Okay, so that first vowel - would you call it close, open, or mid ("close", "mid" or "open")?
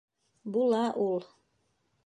close